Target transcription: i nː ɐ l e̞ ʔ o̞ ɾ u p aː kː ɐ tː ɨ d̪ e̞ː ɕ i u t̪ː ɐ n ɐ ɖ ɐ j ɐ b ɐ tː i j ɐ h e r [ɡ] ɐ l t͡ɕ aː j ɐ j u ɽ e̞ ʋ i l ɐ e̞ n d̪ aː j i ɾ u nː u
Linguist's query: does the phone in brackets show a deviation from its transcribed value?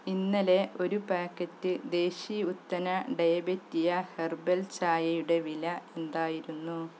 yes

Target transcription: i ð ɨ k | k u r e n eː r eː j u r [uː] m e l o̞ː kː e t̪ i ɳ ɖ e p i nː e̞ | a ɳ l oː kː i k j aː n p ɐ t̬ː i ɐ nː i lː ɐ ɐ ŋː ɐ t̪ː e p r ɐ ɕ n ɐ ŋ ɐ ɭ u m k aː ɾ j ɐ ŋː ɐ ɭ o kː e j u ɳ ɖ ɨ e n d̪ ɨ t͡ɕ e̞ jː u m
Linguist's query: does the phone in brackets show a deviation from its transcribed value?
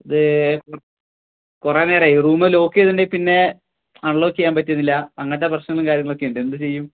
no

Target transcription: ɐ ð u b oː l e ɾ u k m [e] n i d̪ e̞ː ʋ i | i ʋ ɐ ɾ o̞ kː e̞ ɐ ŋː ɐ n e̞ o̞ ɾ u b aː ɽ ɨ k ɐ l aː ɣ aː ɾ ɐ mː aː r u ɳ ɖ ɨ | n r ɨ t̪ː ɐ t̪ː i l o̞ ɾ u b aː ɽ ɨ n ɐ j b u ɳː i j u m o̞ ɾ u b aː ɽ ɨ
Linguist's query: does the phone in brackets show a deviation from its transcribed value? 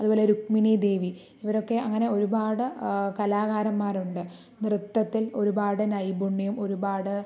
yes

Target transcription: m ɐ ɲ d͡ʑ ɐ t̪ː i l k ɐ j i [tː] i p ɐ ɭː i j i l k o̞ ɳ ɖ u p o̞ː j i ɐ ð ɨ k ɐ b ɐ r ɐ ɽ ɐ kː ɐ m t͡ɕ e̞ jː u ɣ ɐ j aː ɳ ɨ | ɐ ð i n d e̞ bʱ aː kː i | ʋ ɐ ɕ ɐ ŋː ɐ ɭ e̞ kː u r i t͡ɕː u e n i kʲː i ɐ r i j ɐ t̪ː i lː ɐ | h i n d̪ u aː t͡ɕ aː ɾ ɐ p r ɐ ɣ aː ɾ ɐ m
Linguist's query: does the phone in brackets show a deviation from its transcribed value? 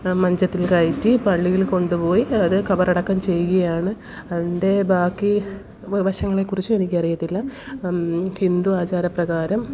no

